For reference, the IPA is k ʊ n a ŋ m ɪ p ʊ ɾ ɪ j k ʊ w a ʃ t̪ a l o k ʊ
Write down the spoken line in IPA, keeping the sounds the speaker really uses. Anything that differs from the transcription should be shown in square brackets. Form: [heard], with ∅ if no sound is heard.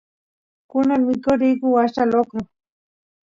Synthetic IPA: k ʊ n a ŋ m ɪ [k] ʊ ɾ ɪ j k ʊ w a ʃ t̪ a l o k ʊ